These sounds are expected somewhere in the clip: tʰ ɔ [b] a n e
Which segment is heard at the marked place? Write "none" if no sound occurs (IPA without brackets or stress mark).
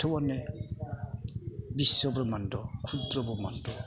w